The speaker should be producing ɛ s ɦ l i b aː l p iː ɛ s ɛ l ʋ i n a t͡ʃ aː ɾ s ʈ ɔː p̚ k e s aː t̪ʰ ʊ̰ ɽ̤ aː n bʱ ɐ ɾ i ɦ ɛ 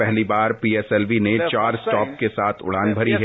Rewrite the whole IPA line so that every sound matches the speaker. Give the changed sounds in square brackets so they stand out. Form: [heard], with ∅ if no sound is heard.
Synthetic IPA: ɛ [∅] ɦ l i b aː [ɾ] p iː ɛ s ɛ l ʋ i n [e] t͡ʃ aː ɾ s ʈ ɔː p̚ k e s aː t̪ʰ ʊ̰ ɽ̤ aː n bʱ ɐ ɾ i ɦ ɛ